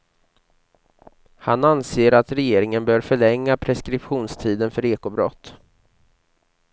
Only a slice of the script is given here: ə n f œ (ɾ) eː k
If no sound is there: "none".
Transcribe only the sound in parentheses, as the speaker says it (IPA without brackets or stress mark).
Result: ɾ